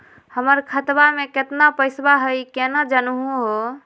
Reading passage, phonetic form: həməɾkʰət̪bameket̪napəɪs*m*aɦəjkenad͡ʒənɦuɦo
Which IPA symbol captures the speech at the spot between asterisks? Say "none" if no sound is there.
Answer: b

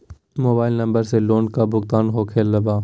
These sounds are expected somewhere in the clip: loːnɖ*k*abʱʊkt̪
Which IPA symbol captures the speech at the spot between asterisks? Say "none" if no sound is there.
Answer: k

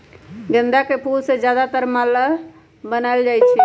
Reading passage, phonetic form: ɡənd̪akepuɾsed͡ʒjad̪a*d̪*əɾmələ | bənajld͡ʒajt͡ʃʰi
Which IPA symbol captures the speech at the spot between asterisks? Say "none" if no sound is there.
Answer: t̪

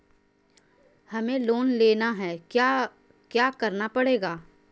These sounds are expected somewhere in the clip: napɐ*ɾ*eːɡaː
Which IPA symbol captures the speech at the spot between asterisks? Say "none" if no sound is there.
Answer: ɽ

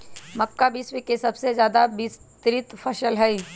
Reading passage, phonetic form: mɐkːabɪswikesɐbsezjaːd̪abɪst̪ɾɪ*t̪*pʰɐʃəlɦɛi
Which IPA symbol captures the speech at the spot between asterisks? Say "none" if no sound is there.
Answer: t̪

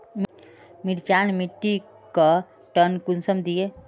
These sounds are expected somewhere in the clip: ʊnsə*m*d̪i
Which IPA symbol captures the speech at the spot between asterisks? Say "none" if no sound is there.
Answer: m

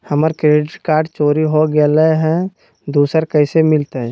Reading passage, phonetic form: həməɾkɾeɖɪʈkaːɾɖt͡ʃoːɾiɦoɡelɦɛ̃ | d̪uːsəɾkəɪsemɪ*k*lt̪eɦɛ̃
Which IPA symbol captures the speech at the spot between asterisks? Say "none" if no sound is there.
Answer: none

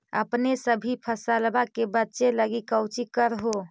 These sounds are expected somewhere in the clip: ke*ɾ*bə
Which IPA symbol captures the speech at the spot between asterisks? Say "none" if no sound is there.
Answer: none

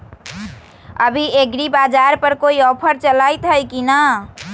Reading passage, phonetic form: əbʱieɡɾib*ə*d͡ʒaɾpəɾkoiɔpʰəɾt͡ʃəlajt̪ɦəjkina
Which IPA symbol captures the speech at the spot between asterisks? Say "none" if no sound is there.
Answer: a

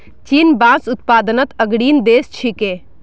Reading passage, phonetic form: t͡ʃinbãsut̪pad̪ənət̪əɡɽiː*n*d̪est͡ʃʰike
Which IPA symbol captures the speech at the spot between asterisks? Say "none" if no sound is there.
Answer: n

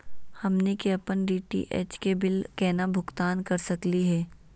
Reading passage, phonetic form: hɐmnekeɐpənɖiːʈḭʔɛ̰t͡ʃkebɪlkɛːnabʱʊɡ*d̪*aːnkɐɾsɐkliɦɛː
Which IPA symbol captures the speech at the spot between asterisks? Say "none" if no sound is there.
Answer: t̪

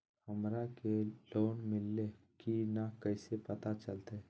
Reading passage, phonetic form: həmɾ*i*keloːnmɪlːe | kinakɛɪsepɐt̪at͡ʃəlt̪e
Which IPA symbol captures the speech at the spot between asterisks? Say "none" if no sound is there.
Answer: a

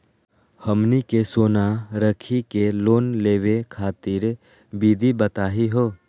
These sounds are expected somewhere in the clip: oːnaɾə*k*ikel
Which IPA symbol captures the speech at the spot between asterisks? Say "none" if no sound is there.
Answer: kʰ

